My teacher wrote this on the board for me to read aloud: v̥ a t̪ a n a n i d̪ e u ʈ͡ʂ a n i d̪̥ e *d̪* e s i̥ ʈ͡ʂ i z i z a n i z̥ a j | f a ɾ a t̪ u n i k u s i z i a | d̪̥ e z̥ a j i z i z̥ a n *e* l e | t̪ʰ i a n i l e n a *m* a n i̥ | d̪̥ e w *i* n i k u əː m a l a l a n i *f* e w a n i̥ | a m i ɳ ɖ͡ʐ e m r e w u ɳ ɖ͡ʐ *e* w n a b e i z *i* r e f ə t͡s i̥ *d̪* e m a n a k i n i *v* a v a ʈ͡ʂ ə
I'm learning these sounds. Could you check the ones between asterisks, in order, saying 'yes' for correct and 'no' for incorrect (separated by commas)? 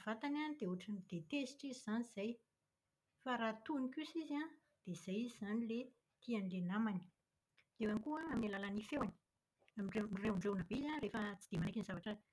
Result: no, no, yes, no, yes, yes, no, yes, no